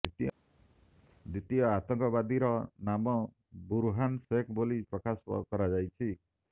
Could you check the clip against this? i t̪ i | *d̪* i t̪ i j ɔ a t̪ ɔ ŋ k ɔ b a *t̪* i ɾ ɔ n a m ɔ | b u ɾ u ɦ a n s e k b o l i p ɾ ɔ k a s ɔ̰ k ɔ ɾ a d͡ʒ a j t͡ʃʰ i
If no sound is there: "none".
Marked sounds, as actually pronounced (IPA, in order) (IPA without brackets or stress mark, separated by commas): d̪, d̪